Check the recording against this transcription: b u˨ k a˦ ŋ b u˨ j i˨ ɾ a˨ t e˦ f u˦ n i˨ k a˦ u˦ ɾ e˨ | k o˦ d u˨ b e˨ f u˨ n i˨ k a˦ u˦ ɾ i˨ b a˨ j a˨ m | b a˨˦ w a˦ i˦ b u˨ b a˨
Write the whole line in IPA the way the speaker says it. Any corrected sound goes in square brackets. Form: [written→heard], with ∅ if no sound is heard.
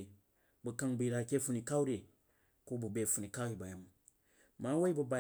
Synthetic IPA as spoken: b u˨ k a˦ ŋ b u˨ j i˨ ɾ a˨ [t→k] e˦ f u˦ n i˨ k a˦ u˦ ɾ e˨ | k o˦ [d→b] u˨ b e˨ f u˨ n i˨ k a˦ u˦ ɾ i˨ b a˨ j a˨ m | [b→m] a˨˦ w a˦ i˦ b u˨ b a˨